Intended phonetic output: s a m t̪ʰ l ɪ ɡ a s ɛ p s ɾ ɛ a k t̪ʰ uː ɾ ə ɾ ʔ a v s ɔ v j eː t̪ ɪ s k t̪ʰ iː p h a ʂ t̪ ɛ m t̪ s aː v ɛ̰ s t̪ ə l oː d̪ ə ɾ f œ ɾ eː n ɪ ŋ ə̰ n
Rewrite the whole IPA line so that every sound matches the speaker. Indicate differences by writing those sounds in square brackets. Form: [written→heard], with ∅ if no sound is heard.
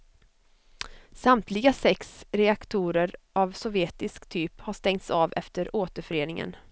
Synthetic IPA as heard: s a m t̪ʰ l ɪ ɡ a s ɛ [p→k] s ɾ ɛ a k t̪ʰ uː ɾ ə ɾ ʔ a v s ɔ v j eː t̪ ɪ s k t̪ʰ [iː→yː] p h a ʂ t̪ ɛ [m→ŋ] t̪ s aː v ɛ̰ [s→f] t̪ ə [l→ɾ] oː [d̪→t̪] ə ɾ f œ ɾ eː n ɪ ŋ ə̰ n